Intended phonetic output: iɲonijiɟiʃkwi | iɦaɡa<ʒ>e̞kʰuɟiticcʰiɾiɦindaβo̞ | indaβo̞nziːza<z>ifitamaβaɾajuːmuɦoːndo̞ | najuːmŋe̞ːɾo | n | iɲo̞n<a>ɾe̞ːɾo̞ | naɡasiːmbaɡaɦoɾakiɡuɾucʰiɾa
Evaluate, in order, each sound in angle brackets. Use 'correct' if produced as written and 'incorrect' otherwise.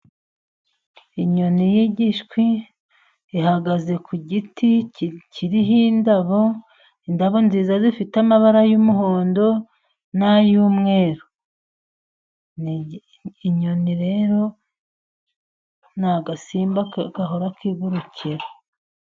incorrect: z, correct, incorrect: i

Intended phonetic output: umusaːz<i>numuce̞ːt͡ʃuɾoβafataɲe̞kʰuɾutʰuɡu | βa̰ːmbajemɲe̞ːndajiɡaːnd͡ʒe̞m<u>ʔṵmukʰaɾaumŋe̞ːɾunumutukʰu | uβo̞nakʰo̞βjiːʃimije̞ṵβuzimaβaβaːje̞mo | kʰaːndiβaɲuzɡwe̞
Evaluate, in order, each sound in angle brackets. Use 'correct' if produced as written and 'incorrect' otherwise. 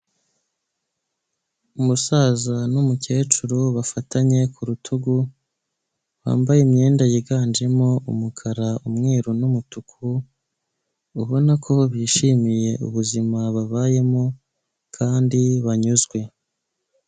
incorrect: a, incorrect: o

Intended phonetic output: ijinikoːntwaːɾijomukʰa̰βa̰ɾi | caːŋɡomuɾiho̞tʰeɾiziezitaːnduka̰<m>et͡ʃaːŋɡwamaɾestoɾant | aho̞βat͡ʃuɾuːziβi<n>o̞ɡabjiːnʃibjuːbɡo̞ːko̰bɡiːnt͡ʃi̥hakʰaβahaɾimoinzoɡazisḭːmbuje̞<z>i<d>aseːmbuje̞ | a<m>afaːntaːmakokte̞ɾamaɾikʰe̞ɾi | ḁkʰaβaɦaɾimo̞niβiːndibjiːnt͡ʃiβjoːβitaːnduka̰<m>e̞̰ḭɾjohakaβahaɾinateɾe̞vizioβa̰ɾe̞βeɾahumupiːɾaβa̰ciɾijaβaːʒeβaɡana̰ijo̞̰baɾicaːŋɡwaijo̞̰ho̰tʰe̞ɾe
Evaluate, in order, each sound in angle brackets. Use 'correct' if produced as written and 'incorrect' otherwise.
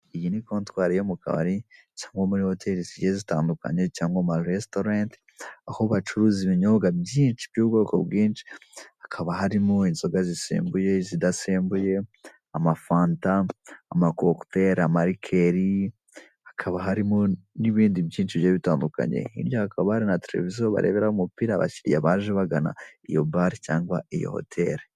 incorrect: ɲ, incorrect: ɲ, correct, correct, correct, incorrect: ɲ

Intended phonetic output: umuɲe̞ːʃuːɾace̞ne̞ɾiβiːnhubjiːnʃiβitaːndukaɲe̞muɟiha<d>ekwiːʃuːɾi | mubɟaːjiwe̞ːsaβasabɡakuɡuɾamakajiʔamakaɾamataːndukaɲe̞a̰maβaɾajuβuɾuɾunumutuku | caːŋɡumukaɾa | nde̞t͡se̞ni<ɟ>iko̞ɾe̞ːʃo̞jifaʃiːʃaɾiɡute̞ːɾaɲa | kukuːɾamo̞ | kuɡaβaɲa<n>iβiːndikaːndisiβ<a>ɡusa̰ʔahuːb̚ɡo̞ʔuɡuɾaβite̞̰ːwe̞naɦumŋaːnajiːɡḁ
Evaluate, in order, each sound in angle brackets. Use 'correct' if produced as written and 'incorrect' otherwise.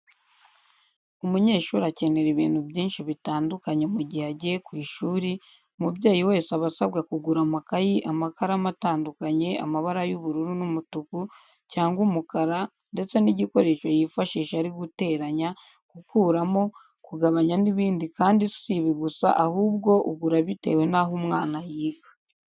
incorrect: ɟ, correct, correct, incorrect: i

